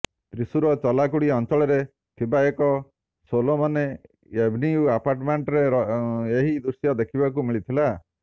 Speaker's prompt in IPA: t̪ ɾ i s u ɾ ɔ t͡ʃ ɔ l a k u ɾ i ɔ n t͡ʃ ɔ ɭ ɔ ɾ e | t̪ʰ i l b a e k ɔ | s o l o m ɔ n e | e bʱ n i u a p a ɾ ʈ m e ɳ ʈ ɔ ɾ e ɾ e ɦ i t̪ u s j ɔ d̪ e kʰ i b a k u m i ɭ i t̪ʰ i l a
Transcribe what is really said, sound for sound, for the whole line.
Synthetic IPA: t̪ ɾ i s u ɾ ɔ t͡ʃ ɔ l a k u ɽ i ɔ n t͡ʃ ɔ ɭ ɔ ɾ e | t̪ʰ i b a e k ɔ | s o l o m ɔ n e | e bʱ n i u a p a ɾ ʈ m e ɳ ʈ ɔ ɾ e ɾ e ɦ i d̪ u s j ɔ d̪ e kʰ i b a k u m i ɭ i t̪ʰ i l a